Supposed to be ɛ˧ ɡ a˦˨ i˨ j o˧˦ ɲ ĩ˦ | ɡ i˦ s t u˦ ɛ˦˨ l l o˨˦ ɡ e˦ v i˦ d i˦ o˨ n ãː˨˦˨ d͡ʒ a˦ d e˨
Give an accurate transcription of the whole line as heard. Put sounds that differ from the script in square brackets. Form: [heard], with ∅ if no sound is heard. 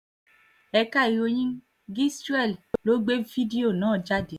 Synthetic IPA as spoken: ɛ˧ [k] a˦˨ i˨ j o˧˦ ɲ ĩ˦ | ɡ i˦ s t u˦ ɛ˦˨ l l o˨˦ [ɡ͡b] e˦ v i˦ d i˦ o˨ n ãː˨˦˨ d͡ʒ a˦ d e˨